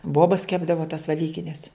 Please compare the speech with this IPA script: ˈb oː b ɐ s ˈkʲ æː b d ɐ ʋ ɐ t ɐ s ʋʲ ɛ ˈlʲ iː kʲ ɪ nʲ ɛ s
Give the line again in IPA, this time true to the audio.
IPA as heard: ˈb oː b ɐ s ˈkʲ æː b d ɐ ʋ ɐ t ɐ s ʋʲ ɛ ˈlʲ iː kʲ ɪ nʲ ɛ s